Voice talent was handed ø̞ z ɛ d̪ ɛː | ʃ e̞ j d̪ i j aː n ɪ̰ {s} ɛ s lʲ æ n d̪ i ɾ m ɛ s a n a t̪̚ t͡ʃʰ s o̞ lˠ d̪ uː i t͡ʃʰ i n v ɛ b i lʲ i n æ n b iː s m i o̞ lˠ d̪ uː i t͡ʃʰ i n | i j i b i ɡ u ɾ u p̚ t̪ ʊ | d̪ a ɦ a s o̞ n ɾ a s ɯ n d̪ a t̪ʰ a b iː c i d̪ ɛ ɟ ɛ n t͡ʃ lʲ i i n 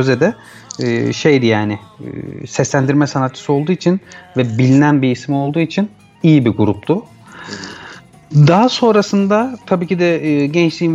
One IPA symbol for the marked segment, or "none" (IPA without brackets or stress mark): s